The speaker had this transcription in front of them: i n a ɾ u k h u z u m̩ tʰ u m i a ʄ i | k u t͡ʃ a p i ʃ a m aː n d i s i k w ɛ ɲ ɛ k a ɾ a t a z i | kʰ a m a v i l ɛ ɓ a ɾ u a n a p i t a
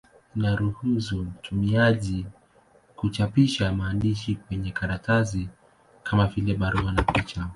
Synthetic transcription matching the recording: i n a ɾ u h u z u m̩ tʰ u m i a ʄ i | k u t͡ʃ a p i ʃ a m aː n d i ʃ i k w ɛ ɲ ɛ k a ɾ a t a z i | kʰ a m a v i l ɛ ɓ a ɾ u a n a p i t͡ʃ a